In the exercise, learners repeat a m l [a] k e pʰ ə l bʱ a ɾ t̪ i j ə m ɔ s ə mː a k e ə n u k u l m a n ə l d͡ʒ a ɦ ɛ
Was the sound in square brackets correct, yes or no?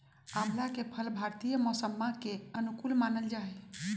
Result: yes